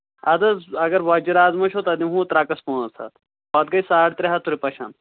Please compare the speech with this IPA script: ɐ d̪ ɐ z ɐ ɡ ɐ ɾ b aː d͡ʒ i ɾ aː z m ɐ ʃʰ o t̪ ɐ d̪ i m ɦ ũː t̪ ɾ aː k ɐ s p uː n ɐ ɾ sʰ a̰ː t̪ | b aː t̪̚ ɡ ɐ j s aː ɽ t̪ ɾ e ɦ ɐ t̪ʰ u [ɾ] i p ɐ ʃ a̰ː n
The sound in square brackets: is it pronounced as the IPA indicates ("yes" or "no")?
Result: yes